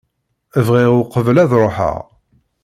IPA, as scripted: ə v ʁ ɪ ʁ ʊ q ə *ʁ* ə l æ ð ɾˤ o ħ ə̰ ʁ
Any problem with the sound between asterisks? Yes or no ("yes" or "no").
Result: yes